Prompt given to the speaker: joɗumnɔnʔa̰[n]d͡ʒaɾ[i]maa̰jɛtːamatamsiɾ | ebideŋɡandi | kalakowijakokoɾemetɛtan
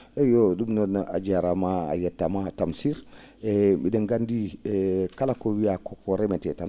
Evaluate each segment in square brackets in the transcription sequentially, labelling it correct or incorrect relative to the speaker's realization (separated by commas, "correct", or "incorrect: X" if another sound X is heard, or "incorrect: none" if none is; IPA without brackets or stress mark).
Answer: incorrect: none, incorrect: a